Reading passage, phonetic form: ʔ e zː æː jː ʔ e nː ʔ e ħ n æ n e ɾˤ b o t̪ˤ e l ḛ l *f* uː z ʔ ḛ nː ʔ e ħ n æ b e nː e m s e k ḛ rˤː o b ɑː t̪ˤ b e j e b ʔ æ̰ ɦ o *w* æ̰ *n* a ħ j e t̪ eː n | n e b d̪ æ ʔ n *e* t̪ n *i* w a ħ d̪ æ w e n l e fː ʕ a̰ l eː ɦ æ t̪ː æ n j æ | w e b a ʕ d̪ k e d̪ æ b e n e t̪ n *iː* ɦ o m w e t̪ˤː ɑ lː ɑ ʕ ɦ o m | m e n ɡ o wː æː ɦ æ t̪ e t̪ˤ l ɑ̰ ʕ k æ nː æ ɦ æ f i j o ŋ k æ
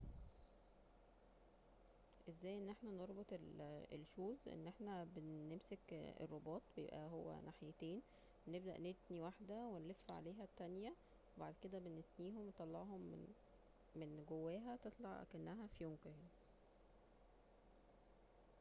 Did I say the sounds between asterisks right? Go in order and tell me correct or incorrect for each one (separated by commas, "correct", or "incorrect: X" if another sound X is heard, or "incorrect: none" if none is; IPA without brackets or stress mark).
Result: incorrect: ʃ, incorrect: wː, correct, correct, correct, correct